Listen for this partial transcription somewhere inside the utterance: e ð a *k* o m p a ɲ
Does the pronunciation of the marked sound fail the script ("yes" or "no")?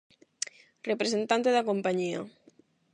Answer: no